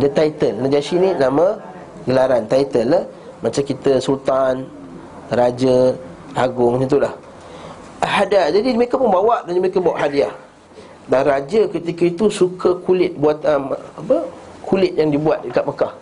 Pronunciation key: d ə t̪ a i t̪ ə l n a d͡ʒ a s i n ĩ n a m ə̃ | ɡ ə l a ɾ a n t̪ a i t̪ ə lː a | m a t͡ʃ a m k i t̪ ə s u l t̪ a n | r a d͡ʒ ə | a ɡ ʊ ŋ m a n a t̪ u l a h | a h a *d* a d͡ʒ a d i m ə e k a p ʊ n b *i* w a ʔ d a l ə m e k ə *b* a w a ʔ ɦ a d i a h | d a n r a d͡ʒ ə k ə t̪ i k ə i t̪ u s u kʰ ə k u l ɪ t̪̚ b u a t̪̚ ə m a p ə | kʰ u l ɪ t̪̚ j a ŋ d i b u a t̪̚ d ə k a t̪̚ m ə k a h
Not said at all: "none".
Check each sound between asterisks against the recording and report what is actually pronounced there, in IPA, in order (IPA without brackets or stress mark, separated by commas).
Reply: d, a, b